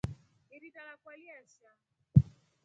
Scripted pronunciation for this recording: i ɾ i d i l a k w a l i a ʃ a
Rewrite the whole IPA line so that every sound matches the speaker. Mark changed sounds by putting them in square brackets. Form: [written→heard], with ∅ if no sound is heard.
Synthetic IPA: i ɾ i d [i→a] l a k w a l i a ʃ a